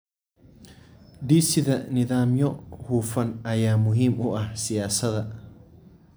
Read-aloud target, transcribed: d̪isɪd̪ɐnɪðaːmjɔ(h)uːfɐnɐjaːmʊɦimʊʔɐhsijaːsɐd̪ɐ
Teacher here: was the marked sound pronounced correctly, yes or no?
yes